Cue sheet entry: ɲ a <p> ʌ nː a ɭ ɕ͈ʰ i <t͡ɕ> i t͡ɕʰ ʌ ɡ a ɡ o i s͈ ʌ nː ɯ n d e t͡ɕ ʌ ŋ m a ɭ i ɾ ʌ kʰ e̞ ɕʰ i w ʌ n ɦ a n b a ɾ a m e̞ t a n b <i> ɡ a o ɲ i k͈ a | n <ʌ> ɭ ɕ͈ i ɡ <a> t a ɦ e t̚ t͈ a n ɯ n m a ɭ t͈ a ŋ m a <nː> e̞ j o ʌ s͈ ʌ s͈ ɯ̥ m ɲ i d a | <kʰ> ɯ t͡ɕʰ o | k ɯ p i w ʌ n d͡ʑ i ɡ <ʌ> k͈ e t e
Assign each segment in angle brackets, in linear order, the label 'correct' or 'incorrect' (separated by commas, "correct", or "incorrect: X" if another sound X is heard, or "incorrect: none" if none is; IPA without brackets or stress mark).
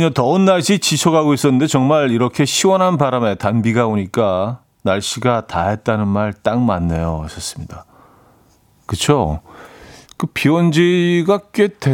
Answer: incorrect: t, correct, correct, incorrect: a, correct, correct, incorrect: k, incorrect: a